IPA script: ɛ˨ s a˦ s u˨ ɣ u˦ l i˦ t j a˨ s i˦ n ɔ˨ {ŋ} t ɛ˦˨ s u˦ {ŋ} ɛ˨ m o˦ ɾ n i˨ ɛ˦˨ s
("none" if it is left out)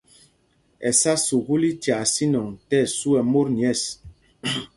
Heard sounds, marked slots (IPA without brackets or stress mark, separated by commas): ŋ, none